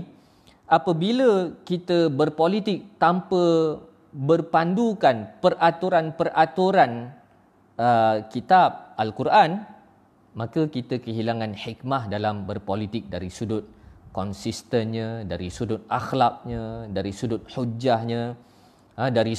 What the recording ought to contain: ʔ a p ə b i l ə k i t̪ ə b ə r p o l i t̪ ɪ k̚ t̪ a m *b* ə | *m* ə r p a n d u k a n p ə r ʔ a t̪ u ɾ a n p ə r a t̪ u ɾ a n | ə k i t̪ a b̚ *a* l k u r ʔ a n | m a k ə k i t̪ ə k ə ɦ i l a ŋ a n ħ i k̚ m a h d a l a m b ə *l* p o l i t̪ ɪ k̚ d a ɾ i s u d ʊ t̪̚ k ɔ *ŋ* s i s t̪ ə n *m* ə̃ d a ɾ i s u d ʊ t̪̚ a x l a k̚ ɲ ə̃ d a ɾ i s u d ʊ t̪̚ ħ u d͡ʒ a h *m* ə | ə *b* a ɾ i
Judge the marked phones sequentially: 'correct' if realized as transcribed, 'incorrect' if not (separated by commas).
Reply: incorrect, incorrect, correct, incorrect, incorrect, incorrect, incorrect, incorrect